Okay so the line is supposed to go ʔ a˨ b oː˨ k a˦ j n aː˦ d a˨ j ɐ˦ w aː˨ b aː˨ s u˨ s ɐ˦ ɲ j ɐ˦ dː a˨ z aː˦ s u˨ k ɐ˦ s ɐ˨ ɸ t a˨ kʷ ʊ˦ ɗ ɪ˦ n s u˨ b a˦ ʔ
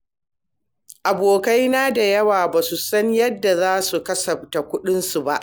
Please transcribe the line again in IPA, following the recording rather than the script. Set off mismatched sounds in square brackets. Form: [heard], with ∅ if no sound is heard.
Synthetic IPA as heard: ʔ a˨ b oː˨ k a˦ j n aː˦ d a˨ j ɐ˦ w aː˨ b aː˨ s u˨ s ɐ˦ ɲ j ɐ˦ dː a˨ z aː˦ s u˨ k ɐ˦ s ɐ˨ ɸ t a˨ kʷ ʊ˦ ɗ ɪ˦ n s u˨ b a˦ ʔ